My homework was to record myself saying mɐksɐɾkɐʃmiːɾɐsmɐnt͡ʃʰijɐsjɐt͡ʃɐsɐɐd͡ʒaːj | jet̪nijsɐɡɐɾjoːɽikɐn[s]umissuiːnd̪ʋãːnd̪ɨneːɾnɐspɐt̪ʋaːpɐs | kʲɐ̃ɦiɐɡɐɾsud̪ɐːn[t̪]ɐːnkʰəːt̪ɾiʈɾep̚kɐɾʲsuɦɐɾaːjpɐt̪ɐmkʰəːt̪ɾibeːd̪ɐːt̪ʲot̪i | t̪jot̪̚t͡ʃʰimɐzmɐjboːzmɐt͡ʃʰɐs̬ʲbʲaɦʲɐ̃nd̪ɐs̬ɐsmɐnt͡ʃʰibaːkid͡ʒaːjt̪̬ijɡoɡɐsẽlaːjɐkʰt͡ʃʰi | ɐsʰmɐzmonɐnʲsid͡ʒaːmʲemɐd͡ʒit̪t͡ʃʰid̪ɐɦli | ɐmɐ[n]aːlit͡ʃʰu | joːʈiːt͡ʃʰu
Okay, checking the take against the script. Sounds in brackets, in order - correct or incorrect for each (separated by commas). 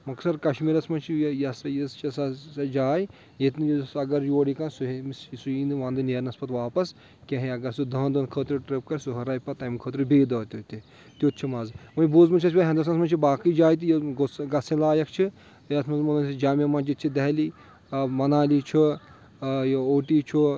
correct, incorrect, correct